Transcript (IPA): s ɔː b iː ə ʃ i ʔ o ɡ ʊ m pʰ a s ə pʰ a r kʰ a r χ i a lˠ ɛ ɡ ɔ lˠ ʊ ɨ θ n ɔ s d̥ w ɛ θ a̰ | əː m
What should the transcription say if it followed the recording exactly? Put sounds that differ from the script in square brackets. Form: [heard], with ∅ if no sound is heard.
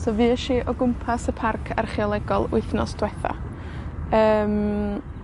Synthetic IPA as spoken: s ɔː [v] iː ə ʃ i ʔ [ɔ] ɡ ʊ m pʰ a s ə pʰ a r kʰ a r χ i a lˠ ɛ ɡ ɔ lˠ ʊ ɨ θ n ɔ s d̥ w ɛ θ a̰ | əː m